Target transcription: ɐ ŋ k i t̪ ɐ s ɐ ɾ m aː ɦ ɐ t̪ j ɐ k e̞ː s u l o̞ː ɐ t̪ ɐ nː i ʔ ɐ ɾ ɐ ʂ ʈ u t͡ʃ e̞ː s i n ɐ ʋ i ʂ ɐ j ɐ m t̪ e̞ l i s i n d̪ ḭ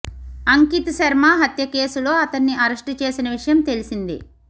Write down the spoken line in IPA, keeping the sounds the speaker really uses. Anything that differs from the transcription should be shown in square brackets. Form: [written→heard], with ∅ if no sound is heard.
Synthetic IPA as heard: ɐ ŋ k i t̪ ɐ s ɐ ɾ m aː ɦ ɐ t̪ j ɐ k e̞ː s u l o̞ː ɐ t̪ ɐ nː i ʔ ɐ ɾ ɐ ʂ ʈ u t͡ʃ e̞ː s i n ɐ ʋ i ʂ ɐ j ɐ m t̪ e̞ l i s i n d̪ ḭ